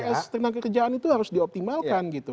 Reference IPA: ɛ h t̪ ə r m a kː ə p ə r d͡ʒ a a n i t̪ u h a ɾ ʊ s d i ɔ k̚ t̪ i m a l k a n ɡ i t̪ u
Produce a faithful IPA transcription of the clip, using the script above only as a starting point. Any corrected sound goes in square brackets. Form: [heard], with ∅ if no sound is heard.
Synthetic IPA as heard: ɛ [s] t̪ ə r [n] a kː ə [k] ə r d͡ʒ a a n i t̪ u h a ɾ ʊ s d i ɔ [p̚] t̪ i m a l k a n ɡ i t̪ u